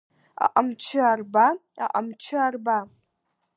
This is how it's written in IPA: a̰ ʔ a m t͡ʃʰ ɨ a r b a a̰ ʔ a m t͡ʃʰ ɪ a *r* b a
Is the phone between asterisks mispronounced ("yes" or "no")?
no